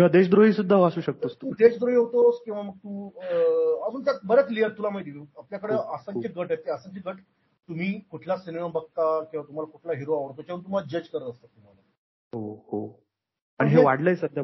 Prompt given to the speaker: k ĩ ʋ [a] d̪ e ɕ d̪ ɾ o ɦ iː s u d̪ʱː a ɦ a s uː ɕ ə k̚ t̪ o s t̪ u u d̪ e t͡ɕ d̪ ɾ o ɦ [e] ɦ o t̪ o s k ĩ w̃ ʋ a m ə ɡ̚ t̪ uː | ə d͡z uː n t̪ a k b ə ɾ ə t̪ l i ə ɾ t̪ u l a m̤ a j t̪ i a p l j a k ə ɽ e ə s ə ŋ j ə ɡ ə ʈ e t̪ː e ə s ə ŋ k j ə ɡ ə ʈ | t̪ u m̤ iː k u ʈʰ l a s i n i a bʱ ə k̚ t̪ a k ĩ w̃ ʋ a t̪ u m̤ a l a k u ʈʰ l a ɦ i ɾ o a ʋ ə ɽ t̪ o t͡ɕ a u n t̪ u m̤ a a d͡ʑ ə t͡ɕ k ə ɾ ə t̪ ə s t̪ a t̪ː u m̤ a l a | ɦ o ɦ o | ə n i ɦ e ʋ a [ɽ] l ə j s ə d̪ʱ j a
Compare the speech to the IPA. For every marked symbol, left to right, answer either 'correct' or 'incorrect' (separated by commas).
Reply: correct, incorrect, correct